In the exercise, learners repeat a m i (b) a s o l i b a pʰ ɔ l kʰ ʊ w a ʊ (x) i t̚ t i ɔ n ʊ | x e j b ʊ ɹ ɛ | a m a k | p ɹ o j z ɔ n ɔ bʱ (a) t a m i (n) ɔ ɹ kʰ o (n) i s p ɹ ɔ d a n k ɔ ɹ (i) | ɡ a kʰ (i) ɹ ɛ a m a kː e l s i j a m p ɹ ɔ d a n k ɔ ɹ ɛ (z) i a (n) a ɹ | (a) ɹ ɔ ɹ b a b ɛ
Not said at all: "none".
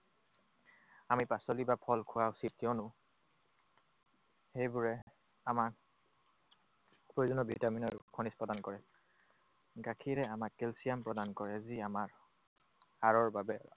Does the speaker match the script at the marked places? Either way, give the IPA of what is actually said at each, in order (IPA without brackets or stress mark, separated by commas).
p, s, i, n, n, ɛ, i, z, m, a